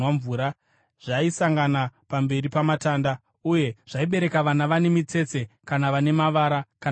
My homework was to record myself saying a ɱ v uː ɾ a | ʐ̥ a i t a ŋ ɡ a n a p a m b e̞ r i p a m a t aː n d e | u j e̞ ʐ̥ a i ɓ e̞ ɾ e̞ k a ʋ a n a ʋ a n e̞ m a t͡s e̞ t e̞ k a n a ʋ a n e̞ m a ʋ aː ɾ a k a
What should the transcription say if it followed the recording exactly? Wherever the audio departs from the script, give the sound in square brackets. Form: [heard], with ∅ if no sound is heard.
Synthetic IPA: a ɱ v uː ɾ a | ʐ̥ a i [s] a ŋ ɡ a n a p a m b e̞ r i p a m a t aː n d [a] | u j e̞ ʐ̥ a i ɓ e̞ ɾ e̞ k a ʋ a n a ʋ a n e̞ m [i] t͡s e̞ [t͡s] e̞ k a n a ʋ a n e̞ m a ʋ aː ɾ a k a